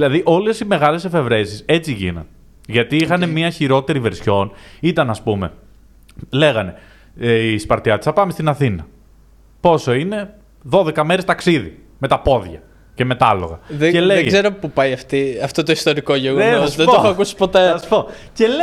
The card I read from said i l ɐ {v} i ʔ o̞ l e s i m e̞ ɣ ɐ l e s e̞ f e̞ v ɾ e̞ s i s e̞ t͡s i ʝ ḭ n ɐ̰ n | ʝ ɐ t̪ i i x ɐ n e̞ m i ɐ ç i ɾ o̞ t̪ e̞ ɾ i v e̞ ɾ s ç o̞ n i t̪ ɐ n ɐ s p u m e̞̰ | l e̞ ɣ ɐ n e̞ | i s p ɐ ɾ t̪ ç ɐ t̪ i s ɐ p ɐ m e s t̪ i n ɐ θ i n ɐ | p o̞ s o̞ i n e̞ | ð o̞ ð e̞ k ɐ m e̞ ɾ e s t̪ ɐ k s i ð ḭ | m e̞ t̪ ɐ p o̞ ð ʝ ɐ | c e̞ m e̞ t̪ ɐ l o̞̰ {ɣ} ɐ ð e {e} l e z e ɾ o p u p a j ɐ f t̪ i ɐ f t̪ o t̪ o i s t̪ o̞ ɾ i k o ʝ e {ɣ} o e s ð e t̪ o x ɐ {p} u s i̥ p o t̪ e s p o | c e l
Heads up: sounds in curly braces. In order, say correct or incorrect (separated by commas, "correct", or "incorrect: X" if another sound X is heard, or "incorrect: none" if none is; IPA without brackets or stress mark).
incorrect: ð, correct, correct, correct, incorrect: k